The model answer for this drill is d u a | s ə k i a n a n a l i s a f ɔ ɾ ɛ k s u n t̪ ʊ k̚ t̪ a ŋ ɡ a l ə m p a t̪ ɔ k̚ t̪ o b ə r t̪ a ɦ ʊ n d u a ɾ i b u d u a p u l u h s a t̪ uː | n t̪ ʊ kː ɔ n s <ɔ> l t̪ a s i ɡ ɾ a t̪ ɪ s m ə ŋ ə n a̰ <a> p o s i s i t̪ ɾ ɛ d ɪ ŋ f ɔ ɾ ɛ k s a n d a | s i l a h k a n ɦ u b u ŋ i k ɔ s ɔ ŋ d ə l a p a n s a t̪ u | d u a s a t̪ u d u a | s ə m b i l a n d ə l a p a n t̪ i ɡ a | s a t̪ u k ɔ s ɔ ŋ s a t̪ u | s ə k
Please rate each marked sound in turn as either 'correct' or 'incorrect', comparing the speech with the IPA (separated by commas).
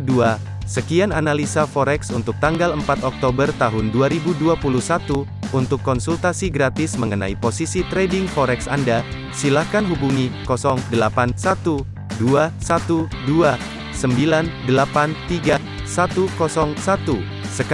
incorrect, incorrect